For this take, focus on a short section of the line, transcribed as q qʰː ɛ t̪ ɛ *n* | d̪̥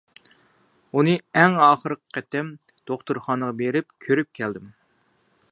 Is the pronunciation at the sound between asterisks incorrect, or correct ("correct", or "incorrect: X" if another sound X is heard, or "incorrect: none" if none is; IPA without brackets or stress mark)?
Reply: incorrect: m